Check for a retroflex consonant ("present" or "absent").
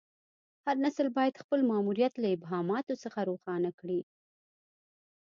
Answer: present